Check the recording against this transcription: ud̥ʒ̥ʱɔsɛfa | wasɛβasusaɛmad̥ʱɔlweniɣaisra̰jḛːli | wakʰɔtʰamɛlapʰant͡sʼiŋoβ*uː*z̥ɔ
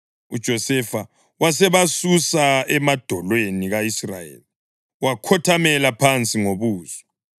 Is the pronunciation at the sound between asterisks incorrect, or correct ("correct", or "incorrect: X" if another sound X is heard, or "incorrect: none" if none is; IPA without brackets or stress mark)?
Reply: correct